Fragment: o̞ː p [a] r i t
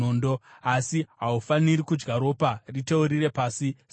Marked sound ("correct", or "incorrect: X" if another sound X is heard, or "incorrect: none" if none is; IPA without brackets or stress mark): correct